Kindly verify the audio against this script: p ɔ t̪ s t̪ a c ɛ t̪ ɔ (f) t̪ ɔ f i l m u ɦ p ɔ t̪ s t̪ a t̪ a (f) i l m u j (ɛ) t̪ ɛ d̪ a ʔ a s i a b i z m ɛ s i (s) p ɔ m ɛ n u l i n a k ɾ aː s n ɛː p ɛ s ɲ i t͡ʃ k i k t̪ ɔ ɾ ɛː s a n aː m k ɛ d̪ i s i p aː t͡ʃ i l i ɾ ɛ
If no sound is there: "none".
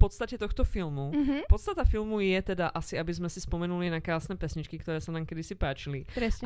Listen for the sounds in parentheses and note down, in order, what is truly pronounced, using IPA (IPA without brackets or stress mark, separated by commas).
x, f, ɛ, s